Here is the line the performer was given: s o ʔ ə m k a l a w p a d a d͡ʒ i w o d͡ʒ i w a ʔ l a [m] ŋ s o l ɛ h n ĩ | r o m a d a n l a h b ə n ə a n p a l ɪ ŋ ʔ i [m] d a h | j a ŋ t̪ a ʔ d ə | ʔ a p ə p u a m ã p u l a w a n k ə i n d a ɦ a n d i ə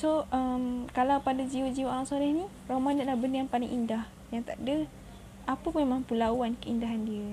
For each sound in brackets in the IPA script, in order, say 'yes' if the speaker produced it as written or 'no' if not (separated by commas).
no, no